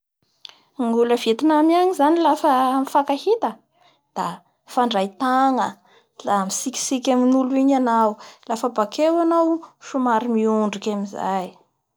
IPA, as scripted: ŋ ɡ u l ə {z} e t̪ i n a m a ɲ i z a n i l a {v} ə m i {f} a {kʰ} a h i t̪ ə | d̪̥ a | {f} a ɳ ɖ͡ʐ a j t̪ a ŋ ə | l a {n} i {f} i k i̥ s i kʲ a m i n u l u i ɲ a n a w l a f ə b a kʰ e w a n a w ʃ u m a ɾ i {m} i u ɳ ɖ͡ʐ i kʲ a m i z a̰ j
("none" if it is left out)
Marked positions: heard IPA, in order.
v, f, f, k, f, m, s, m

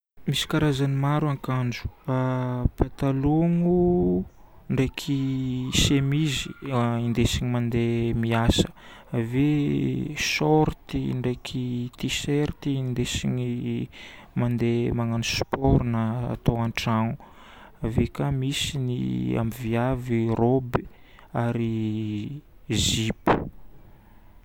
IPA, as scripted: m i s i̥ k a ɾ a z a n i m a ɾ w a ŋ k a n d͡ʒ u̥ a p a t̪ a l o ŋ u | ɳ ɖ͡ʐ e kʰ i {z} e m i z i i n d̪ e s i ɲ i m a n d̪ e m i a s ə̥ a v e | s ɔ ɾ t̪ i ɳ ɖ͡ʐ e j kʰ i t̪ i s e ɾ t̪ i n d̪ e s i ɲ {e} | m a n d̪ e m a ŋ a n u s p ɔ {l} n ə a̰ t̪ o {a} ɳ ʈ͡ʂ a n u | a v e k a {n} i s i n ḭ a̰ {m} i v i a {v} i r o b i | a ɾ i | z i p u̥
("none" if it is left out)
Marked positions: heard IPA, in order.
s, i, ɾ, a, m, m, v

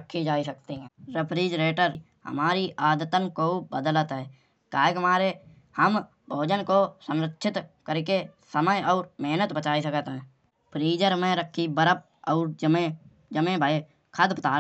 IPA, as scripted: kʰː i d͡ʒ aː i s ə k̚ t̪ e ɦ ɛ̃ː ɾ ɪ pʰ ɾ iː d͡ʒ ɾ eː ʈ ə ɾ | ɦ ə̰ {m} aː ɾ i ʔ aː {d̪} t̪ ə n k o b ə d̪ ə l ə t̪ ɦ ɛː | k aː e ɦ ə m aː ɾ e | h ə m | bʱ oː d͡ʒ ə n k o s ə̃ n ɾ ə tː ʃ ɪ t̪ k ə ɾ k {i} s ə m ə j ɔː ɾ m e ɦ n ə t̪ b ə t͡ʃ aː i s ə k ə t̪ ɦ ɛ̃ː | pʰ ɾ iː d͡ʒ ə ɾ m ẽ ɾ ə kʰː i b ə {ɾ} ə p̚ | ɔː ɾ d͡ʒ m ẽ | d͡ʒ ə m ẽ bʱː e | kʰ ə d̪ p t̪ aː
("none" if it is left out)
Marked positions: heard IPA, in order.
m, d̪, e, ɾ

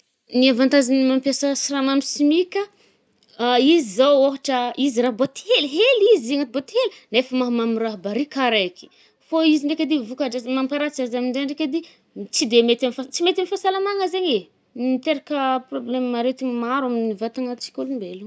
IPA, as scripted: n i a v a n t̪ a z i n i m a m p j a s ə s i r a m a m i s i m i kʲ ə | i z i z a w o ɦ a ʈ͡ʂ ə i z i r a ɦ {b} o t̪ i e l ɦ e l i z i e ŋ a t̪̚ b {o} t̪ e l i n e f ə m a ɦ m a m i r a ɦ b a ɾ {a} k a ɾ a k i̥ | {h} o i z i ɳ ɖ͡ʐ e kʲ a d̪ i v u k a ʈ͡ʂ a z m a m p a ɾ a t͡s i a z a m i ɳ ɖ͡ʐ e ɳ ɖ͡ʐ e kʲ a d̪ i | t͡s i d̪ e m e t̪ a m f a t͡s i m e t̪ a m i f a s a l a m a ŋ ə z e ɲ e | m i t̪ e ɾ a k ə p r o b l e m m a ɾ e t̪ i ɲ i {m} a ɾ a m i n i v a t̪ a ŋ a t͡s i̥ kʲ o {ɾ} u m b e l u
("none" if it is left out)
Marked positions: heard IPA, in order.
b, o, i, f, m, l

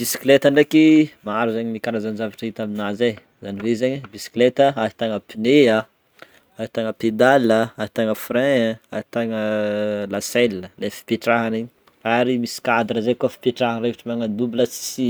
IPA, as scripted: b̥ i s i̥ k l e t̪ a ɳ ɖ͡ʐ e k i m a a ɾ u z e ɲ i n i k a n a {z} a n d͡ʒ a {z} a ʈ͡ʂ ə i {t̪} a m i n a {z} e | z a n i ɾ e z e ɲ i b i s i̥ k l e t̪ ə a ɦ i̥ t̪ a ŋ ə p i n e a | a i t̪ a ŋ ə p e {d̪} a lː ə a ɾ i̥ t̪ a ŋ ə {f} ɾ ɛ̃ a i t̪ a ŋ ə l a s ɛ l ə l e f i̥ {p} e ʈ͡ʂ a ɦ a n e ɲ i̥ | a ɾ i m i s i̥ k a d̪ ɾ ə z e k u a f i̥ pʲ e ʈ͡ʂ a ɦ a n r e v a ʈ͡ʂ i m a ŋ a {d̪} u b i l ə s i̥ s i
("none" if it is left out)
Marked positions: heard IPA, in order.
z, v, t̪, z, d̪, f, p, d̪

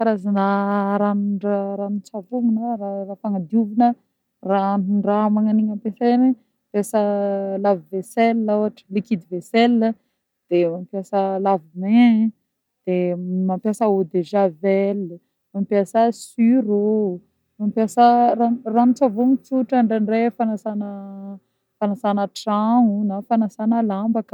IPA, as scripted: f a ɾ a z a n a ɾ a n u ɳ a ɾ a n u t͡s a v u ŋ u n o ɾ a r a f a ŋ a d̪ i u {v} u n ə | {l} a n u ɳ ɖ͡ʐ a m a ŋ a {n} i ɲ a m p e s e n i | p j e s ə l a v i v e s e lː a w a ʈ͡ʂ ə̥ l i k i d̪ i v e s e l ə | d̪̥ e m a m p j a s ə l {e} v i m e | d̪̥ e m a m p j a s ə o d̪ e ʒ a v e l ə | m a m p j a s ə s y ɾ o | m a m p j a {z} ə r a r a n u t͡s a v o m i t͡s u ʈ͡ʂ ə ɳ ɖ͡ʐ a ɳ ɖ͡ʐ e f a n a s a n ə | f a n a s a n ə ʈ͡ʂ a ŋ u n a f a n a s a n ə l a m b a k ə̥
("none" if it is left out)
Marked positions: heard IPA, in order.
v, r, n, a, s

